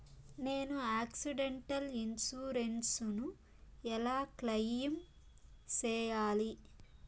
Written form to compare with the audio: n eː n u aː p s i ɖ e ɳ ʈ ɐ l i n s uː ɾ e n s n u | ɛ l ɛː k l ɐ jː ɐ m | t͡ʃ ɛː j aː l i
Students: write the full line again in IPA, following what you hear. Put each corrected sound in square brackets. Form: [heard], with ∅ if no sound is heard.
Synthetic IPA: n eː n u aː [k] s i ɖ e ɳ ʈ ɐ l i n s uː ɾ e n s n u | ɛ l [aː] k l ɐ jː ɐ m | t͡ʃ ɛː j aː l i